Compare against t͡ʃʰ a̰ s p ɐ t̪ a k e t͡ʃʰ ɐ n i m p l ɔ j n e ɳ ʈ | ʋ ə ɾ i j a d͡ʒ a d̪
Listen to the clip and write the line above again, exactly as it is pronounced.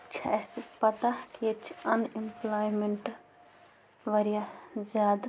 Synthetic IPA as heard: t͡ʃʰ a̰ s p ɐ t̪ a k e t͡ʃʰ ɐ n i m p l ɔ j m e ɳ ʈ | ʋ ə ɾ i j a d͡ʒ a d̪